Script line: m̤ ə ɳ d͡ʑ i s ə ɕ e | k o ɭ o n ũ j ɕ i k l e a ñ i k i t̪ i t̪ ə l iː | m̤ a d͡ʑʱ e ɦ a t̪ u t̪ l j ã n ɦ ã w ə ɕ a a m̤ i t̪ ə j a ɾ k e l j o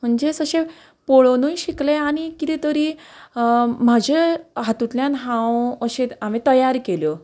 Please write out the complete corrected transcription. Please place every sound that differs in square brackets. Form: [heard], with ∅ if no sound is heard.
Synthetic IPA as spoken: m̤ ə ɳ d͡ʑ [e] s ə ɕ e | [p] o ɭ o n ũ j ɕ i k l e a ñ i k i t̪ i t̪ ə [ɾ] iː | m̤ a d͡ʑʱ e ɦ a t̪ u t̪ l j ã n ɦ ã w ə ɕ [e] a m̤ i t̪ ə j a ɾ k e l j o